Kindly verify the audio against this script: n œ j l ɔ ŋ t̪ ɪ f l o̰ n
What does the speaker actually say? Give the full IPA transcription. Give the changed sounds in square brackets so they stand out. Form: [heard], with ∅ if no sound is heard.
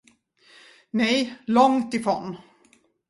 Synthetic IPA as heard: n [ɛ] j l ɔ ŋ t̪ ɪ f [ɾ] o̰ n